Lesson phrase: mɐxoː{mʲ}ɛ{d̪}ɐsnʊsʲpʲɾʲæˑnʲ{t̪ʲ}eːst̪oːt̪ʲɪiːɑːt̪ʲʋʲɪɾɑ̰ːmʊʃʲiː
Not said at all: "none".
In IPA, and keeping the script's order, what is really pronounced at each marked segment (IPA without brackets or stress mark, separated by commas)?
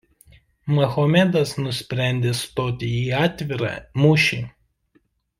mʲ, d̪, d̪ʲ